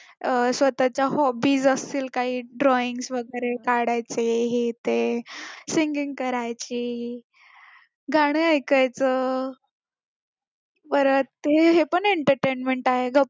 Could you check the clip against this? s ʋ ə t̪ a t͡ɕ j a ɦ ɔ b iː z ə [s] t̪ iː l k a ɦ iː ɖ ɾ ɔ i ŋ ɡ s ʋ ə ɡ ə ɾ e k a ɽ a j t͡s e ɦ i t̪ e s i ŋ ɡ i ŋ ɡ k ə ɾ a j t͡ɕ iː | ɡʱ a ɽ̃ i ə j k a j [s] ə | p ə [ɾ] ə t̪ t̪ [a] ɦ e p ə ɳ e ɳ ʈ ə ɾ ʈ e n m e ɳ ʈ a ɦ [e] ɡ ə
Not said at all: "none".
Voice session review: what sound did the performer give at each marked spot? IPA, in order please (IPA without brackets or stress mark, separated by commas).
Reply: s, t͡s, ɾ, e, e